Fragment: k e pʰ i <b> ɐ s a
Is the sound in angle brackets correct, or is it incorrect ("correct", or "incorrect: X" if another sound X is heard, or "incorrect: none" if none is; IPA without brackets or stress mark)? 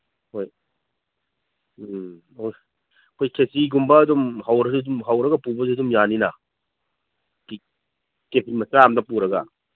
incorrect: m